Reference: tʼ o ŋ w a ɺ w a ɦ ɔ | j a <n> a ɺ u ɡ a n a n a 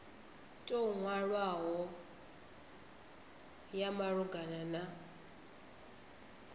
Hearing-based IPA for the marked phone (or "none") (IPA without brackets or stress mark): m